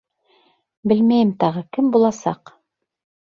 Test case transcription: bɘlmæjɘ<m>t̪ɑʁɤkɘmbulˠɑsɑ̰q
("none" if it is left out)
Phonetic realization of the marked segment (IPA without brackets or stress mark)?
m